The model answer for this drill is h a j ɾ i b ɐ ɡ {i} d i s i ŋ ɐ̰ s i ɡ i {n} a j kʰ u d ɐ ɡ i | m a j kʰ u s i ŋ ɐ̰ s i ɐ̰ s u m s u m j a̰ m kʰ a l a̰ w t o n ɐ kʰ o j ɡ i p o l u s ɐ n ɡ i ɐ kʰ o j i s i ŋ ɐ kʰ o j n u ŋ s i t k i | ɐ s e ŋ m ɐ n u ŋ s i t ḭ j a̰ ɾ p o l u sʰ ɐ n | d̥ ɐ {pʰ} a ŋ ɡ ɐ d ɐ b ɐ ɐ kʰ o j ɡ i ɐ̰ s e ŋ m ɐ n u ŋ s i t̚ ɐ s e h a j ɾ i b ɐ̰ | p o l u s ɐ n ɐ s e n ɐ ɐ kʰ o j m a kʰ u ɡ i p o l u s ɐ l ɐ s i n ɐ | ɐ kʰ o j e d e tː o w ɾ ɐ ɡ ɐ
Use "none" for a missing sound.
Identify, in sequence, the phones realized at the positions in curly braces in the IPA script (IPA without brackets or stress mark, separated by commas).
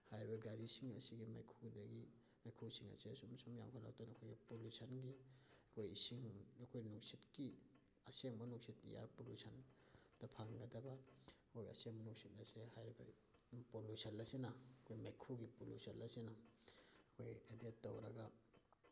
a, m, pʰ